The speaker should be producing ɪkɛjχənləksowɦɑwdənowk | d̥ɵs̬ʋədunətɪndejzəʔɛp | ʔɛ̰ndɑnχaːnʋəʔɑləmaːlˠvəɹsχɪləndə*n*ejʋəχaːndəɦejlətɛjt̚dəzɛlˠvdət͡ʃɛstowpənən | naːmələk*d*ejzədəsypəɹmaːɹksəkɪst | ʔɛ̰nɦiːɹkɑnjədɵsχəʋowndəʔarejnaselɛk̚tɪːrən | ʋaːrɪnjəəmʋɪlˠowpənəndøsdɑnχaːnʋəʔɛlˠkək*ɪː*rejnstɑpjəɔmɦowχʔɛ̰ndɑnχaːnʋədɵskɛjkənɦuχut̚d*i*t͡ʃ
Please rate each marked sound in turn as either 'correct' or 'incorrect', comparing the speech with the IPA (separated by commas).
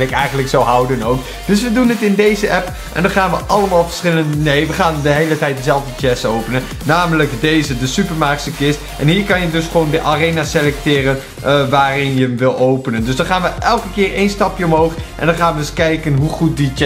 correct, correct, correct, correct